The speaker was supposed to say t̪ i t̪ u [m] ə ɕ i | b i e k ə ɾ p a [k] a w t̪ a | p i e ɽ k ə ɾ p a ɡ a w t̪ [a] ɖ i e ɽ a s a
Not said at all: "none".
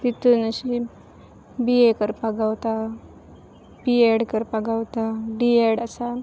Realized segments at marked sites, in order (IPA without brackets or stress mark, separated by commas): n, ɡ, a